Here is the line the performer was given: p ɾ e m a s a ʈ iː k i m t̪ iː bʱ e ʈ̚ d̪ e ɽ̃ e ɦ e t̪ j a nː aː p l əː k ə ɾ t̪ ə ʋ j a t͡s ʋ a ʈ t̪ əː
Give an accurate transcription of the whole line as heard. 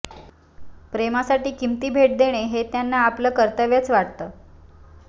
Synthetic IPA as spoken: p ɾ e m a s a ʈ iː k i m t̪ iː bʱ e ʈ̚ d̪ e ɽ̃ e ɦ e t̪ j a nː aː p l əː k ə ɾ t̪ ə ʋ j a t͡s ʋ a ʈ t̪ əː